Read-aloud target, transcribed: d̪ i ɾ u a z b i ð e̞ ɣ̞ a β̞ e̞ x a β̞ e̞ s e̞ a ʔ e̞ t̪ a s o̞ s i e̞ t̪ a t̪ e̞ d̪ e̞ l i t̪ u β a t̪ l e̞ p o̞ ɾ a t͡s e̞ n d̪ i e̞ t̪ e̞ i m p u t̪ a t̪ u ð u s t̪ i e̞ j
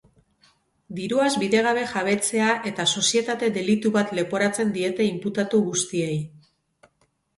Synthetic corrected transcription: d̪ i ɾ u a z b i ð e̞ ɣ̞ a β̞ e̞ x a β̞ e̞ t͡s e̞ a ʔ e̞ t̪ a s o̞ s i e̞ t̪ a t̪ e̞ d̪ e̞ l i t̪ u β a t̪ l e̞ p o̞ ɾ a t͡s e̞ n d̪ i e̞ t̪ e̞ i m p u t̪ a t̪ u ɣ u s t̪ i e̞ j